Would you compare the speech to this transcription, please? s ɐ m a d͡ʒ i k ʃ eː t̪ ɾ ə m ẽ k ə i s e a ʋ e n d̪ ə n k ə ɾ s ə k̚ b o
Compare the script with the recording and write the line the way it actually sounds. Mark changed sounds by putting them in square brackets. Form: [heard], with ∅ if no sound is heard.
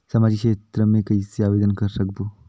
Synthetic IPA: s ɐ m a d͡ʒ i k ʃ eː t̪ ɾ ə m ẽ k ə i s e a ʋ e [∅] d̪ ə n k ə ɾ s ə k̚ b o